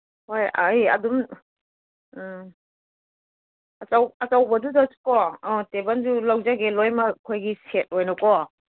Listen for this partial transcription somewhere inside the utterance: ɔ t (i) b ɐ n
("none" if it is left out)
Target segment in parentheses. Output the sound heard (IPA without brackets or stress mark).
e